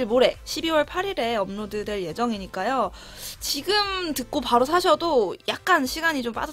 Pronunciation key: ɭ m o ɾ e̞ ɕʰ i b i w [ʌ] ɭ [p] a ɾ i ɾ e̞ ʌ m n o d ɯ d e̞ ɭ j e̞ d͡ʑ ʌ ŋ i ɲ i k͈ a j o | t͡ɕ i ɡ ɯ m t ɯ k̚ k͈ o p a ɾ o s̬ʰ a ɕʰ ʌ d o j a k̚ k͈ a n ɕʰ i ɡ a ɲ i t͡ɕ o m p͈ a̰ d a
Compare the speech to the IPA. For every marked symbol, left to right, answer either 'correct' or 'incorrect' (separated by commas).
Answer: correct, incorrect